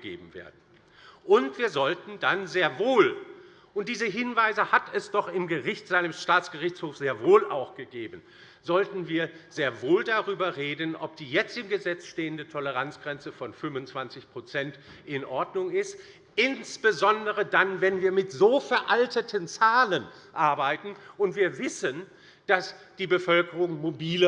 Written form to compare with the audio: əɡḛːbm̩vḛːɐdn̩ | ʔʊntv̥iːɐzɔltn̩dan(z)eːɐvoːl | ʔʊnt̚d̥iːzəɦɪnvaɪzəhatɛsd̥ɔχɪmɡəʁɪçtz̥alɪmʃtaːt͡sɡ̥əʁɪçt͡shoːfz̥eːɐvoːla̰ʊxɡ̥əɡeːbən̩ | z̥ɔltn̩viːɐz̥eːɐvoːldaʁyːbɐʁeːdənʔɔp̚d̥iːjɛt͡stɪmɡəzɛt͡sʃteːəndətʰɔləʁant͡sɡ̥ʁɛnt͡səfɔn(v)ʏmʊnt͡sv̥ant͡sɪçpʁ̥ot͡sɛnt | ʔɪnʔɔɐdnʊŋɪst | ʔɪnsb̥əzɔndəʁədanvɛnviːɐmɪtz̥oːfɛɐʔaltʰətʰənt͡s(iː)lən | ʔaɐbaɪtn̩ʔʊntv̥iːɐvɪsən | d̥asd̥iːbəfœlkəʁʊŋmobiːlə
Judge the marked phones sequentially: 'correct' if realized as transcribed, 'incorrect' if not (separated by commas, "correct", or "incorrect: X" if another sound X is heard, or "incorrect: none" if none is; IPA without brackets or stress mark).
correct, incorrect: f, incorrect: aː